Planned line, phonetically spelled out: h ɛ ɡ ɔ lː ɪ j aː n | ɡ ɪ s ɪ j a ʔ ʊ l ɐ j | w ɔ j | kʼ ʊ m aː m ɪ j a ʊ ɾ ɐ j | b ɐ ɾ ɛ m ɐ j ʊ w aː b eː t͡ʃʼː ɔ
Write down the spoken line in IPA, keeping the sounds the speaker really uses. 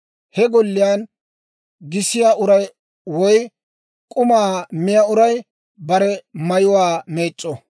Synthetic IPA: h ɛ ɡ ɔ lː ɪ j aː n | ɡ ɪ s ɪ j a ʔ ʊ ɾ ɐ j | w ɔ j | kʼ ʊ m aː m ɪ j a ʊ ɾ ɐ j | b ɐ ɾ ɛ m ɐ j ʊ w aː m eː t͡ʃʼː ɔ